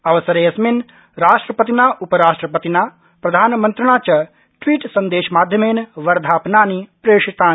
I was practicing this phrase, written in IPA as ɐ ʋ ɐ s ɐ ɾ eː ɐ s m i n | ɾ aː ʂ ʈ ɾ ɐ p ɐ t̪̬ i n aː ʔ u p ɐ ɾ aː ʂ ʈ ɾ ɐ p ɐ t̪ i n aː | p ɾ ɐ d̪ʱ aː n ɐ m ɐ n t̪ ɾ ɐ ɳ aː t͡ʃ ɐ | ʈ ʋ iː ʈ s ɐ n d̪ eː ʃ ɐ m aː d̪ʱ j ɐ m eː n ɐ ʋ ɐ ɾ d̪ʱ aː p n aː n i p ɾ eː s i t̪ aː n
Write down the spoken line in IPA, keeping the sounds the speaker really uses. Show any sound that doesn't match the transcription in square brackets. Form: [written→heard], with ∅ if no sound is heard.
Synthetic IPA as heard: ɐ ʋ ɐ s ɐ ɾ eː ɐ s m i n | ɾ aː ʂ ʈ ɾ ɐ p ɐ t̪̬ i n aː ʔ u p ɐ ɾ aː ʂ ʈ ɾ ɐ p ɐ t̪ i n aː | p ɾ ɐ d̪ʱ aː n ɐ m ɐ n t̪ ɾ ɐ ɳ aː t͡ʃ ɐ | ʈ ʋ iː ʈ s ɐ n d̪ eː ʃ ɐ m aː d̪ʱ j ɐ m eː n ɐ ʋ ɐ ɾ d̪ʱ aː p n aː n i p ɾ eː [s→ʂ] i t̪ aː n